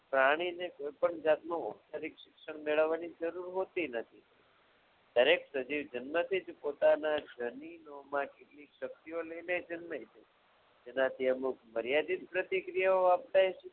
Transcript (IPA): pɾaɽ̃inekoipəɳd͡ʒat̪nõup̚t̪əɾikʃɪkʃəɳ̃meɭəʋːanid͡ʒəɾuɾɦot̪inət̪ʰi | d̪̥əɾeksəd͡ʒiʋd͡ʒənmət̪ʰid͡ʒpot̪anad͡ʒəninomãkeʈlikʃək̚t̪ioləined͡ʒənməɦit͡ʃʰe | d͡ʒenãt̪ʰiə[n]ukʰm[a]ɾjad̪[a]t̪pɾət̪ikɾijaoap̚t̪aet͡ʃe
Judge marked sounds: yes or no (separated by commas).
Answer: no, no, no